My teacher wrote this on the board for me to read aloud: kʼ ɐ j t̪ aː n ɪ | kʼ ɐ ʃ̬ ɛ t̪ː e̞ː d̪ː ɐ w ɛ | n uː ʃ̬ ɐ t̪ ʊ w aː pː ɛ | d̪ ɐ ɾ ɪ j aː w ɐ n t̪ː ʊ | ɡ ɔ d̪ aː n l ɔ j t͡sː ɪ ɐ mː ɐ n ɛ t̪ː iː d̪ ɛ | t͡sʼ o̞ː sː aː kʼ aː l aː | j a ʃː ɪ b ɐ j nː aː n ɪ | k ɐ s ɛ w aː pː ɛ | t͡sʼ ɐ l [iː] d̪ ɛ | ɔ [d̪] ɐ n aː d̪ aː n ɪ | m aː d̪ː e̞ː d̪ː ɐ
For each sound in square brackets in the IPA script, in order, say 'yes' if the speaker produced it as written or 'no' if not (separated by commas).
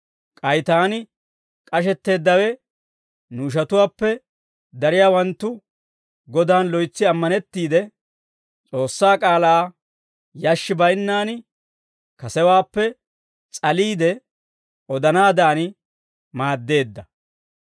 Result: yes, yes